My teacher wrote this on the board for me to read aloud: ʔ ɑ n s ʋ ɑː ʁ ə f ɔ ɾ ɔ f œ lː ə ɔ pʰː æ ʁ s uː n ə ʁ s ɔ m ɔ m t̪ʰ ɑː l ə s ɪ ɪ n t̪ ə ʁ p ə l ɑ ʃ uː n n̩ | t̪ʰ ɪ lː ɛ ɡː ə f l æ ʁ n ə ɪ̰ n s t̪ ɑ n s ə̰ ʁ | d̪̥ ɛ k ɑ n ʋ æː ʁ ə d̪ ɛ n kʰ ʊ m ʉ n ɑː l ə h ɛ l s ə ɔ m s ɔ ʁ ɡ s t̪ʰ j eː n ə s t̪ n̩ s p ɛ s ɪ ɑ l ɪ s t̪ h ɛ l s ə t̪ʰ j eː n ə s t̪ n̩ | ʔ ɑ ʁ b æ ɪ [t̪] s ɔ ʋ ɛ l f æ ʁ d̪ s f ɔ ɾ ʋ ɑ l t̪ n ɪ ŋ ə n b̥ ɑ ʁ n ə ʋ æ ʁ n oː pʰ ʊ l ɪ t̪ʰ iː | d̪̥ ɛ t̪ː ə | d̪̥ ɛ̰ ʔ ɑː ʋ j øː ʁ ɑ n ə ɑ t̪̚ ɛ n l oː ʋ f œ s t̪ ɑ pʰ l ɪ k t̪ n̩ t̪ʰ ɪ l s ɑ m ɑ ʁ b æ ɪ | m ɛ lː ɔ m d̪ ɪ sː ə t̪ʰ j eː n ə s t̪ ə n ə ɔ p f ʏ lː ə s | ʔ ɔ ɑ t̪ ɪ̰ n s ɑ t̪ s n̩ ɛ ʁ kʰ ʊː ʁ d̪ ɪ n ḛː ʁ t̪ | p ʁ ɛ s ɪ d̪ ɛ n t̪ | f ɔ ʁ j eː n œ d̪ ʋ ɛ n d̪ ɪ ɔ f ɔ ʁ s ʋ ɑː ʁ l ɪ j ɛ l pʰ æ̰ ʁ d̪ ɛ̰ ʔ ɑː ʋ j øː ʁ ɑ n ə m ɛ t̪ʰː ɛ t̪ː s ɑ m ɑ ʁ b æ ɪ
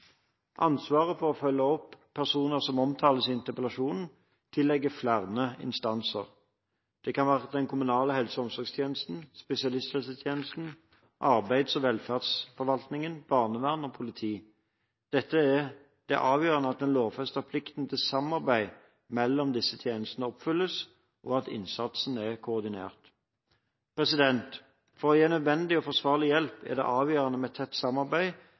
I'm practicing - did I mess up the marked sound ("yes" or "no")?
yes